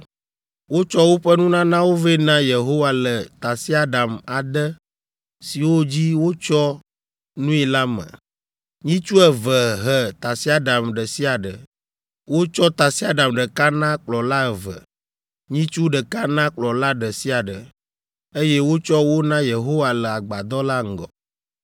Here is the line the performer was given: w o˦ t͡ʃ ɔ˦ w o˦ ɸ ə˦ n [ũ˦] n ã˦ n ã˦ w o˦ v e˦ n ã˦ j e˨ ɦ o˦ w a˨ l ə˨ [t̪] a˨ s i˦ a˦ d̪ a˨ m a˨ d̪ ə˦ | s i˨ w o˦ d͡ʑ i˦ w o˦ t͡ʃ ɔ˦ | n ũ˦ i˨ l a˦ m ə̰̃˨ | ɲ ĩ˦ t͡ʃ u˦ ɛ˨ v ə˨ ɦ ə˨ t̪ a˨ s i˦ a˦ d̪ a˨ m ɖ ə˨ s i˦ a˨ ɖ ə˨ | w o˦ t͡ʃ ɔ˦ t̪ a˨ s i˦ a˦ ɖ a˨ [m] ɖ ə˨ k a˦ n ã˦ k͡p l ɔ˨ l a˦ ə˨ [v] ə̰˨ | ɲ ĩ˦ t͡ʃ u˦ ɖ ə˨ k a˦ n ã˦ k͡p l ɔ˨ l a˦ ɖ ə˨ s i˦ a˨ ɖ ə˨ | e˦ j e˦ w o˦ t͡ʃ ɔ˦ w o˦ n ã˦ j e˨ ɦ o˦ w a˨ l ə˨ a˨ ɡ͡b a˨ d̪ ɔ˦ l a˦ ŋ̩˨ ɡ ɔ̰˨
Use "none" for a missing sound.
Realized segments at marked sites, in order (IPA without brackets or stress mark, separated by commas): ũ˦, t̪, m, v